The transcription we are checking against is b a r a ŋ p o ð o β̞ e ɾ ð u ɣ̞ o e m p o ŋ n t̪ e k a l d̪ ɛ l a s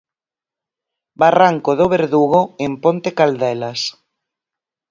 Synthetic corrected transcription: b a r a ŋ k o ð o β̞ e ɾ ð u ɣ̞ o e m p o n t̪ e k a l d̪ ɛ l a s